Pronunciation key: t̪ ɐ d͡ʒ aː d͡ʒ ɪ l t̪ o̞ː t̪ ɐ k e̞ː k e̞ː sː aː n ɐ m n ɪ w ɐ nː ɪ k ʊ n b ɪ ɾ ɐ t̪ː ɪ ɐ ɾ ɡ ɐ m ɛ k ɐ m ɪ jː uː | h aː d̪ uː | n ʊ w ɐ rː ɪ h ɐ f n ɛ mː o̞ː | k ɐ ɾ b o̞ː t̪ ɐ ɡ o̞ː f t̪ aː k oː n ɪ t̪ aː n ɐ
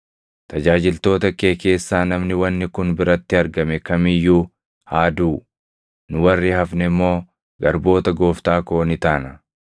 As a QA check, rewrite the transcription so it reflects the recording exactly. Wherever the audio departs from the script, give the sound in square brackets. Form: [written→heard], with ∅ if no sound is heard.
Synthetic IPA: t̪ ɐ d͡ʒ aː d͡ʒ ɪ l t̪ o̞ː t̪ ɐ k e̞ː k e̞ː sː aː n ɐ m n ɪ w ɐ nː ɪ k ʊ n b ɪ ɾ ɐ t̪ː ɪ ɐ ɾ ɡ ɐ m ɛ k ɐ m ɪ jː uː | h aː d̪ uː | n ʊ w ɐ rː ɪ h ɐ f n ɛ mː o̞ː | [k→ɡ] ɐ ɾ b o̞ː t̪ ɐ ɡ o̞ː f t̪ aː k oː n ɪ t̪ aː n ɐ